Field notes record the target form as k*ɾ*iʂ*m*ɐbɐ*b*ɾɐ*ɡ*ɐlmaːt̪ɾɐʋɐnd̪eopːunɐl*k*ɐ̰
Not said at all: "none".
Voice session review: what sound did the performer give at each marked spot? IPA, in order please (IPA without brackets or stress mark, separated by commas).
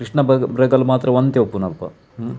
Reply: ɾ, ɳ, b, ɡ, p